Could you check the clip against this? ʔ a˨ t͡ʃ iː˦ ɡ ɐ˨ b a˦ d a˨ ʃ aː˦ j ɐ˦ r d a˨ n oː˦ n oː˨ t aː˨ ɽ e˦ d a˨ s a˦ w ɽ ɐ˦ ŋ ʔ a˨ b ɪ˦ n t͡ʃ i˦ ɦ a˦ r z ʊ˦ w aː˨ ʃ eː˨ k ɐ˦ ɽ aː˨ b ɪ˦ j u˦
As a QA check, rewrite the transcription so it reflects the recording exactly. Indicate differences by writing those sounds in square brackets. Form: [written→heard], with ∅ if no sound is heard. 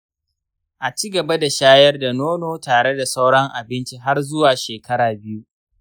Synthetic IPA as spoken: ʔ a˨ t͡ʃ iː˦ ɡ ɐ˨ b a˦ d a˨ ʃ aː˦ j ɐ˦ r d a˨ n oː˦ n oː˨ t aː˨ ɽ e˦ d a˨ s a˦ w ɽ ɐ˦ ŋ ʔ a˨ b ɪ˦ n t͡ʃ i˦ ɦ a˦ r z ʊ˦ w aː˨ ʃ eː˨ k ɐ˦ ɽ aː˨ b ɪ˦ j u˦